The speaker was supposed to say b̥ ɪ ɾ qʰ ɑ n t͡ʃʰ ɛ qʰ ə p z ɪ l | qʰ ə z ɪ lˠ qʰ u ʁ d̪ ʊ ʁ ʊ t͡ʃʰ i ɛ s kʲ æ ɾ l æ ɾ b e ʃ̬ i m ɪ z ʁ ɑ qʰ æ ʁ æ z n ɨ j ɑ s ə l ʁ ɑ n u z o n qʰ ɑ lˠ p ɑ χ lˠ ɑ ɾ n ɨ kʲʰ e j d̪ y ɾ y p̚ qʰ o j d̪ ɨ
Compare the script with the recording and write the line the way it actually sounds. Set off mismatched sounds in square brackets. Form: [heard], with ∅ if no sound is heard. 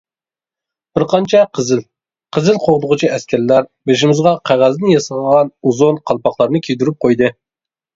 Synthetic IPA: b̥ ɪ ɾ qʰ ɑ n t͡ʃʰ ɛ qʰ ə [∅] z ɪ l | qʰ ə z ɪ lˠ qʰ [o] ʁ d̪ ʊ ʁ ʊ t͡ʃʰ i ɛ s kʲ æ ɾ l æ ɾ b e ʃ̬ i m ɪ z ʁ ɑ qʰ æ ʁ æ z n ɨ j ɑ s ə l ʁ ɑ n u z o n qʰ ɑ lˠ p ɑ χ lˠ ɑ ɾ n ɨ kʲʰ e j d̪ y ɾ y p̚ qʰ o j d̪ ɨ